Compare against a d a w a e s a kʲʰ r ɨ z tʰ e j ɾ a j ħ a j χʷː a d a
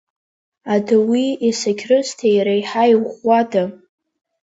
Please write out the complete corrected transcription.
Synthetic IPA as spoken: a d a w i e s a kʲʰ r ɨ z tʰ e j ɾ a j ħ a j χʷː a d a